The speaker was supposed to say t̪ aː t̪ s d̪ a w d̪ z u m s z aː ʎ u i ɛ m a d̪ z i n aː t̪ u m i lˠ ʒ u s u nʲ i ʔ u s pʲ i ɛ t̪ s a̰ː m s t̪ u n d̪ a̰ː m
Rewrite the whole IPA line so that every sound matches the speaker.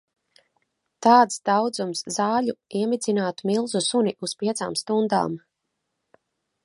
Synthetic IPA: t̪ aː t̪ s d̪ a w d̪ z u m s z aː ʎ u i ɛ m i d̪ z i n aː t̪ u m i lˠ z u s u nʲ i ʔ u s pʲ i ɛ t̪ s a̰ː m s t̪ u n d̪ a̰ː m